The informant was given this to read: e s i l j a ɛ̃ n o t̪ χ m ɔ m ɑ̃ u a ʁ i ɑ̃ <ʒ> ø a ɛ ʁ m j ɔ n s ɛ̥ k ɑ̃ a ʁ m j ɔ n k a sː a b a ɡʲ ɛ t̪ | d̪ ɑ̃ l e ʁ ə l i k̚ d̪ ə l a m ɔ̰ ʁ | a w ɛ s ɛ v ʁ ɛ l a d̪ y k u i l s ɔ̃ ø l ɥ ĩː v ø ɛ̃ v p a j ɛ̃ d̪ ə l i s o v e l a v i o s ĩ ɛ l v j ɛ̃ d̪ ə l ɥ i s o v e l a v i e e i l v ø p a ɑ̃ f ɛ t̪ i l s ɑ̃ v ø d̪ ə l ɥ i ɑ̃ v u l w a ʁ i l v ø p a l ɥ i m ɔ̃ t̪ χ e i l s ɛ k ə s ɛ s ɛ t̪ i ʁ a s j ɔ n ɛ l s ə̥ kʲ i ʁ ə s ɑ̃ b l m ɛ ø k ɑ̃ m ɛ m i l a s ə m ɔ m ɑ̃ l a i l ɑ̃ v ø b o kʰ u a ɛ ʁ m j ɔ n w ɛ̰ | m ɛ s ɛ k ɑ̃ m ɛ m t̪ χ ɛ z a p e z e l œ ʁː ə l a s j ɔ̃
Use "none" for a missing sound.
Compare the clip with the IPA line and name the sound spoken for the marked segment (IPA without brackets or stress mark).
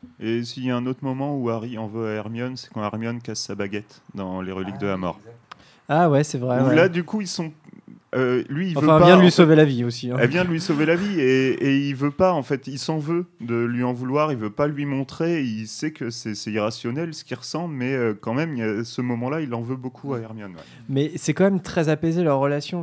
v